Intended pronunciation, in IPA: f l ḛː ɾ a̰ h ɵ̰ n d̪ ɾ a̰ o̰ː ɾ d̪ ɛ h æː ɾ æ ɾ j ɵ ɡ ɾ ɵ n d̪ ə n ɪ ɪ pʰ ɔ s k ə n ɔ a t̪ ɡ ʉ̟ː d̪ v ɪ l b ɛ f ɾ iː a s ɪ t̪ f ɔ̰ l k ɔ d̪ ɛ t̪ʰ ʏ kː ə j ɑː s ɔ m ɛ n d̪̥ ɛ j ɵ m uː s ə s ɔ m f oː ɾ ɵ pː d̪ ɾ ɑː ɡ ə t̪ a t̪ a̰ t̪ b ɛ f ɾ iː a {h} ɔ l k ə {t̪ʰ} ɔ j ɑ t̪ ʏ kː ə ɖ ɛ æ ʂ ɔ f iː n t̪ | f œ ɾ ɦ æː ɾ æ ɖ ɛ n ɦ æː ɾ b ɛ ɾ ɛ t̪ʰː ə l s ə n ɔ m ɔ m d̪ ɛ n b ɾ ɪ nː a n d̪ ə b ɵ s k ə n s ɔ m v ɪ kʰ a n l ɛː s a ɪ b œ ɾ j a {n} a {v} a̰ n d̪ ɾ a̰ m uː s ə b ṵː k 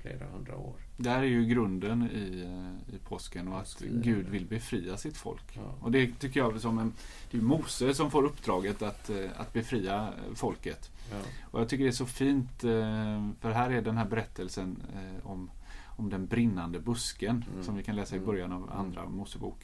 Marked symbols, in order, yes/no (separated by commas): no, no, yes, yes